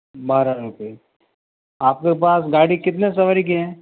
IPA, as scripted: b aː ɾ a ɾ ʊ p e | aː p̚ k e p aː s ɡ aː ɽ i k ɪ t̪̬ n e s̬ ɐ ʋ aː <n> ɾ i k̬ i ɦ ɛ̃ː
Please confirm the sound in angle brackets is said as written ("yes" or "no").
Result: no